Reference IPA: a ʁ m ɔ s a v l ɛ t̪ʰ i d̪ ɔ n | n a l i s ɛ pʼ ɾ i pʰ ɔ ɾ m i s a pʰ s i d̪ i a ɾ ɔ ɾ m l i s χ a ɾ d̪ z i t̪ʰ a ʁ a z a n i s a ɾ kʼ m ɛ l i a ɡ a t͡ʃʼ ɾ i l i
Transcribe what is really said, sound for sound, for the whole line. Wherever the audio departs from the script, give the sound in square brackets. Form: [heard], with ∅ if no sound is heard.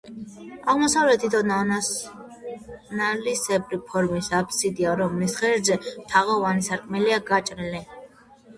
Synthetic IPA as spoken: a ʁ m ɔ s a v l ɛ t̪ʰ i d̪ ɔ n | n a l i s ɛ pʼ ɾ i pʰ ɔ ɾ m i s a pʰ s i d̪ i a ɾ ɔ [∅] m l i s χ [ɛ] ɾ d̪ z [ɛ] t̪ʰ a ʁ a [v] a n i s a ɾ kʼ m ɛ l i a ɡ a t͡ʃʼ ɾ i l i

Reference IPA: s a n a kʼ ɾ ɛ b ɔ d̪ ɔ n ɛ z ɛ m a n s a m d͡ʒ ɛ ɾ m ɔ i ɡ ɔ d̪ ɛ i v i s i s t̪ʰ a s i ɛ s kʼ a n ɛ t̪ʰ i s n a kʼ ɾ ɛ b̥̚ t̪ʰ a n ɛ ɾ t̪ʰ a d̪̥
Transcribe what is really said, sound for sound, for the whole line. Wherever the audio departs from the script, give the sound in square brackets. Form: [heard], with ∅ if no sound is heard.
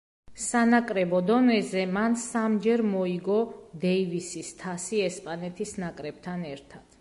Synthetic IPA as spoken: s a n a kʼ ɾ ɛ b ɔ d̪ ɔ n ɛ z ɛ m a n s a m d͡ʒ ɛ ɾ m ɔ i ɡ ɔ d̪ ɛ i v i s i s t̪ʰ a s i ɛ s [pʼ] a n ɛ t̪ʰ i s n a kʼ ɾ ɛ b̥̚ t̪ʰ a n ɛ ɾ t̪ʰ a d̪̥

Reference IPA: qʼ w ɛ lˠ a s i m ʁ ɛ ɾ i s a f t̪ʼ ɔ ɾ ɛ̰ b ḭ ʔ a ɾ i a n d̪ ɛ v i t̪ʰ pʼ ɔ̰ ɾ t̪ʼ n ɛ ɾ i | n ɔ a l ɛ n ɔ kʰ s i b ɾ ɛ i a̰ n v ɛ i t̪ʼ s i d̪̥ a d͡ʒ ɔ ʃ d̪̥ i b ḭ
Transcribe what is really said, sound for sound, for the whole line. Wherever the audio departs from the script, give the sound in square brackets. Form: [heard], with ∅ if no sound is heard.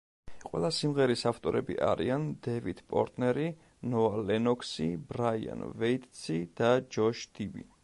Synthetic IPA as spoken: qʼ w ɛ lˠ a s i m ʁ ɛ ɾ i s a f t̪ʼ ɔ ɾ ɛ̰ b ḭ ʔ a ɾ i a n d̪ ɛ v i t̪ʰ pʼ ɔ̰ ɾ t̪ʼ n ɛ ɾ i | n ɔ a l ɛ n ɔ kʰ s i b ɾ [a] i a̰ n v ɛ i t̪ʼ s i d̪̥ a d͡ʒ ɔ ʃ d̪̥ i b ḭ

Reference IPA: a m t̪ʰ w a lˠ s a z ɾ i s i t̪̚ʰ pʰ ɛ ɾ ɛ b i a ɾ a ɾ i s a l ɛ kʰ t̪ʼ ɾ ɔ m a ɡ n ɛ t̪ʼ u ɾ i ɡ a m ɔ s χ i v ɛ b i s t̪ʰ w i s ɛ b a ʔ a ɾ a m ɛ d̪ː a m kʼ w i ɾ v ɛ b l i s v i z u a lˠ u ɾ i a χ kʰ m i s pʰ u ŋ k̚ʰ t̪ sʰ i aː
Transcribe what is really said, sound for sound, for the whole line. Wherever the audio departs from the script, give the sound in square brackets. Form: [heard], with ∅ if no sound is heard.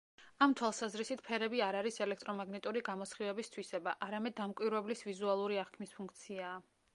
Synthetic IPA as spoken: a m t̪ʰ w a lˠ s a z ɾ i s i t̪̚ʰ pʰ ɛ ɾ ɛ b i a ɾ a ɾ i s [ɛ] l ɛ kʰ t̪ʼ ɾ ɔ m a ɡ n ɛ t̪ʼ u ɾ i ɡ a m ɔ s χ i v ɛ b i s t̪ʰ w i s ɛ b a ʔ a ɾ a m ɛ d̪ː a m kʼ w i ɾ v ɛ b l i s v i z u a lˠ u ɾ i a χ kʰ m i s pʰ u ŋ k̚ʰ t̪ sʰ i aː

